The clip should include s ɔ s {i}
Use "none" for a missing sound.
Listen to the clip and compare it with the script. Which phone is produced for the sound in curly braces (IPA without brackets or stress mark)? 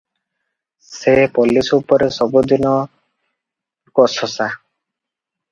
a